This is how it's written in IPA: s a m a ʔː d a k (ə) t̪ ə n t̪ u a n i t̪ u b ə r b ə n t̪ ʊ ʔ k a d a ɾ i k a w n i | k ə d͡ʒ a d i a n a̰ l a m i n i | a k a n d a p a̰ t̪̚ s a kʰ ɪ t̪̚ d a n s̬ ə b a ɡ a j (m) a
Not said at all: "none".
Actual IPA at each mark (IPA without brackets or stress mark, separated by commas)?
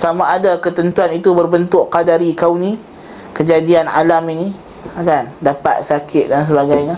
ə, ɲ